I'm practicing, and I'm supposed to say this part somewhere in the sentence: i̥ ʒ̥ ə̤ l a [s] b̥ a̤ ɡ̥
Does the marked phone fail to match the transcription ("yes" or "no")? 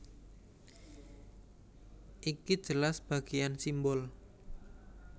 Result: no